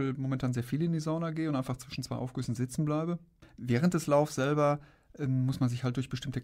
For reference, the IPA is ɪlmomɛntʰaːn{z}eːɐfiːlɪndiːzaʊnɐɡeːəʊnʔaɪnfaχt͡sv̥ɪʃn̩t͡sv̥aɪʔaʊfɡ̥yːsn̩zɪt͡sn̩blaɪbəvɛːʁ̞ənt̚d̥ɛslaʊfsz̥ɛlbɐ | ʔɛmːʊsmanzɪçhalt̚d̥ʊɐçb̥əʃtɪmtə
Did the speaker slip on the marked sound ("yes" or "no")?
no